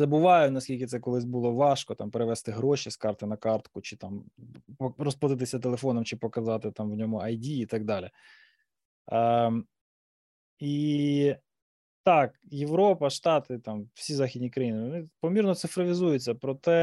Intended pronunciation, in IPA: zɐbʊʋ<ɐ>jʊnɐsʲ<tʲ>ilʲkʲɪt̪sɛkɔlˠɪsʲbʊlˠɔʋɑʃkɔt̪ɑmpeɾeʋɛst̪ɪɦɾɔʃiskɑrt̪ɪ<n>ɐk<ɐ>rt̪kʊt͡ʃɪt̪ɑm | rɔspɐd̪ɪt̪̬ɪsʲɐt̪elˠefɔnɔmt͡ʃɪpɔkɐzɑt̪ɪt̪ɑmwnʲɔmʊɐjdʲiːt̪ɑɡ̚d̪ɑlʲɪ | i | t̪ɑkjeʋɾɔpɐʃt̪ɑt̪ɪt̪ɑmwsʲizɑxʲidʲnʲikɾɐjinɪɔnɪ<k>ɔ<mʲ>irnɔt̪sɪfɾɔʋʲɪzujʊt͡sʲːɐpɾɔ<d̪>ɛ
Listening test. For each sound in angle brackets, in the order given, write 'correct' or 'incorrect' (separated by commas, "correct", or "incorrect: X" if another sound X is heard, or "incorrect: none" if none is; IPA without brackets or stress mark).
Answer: incorrect: ɑ, incorrect: kʲ, correct, incorrect: ɑ, incorrect: p, correct, incorrect: t̪